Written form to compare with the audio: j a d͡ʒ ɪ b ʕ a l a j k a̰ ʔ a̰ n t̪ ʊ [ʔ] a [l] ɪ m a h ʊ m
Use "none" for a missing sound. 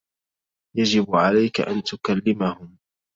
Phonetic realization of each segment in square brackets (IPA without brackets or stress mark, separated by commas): k, lː